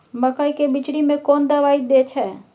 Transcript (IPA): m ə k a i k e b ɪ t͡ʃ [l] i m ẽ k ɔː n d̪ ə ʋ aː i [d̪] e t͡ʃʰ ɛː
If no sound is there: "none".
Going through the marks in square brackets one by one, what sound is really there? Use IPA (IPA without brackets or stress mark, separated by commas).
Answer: ɽ, d̪